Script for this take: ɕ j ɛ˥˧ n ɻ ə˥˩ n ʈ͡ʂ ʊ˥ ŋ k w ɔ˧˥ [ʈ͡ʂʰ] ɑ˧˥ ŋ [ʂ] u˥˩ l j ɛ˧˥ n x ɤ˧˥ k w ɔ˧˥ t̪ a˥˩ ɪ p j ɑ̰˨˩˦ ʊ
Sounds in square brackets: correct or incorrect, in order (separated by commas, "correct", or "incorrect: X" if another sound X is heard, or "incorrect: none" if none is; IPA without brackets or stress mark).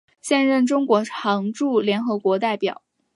correct, incorrect: ʈ͡ʂ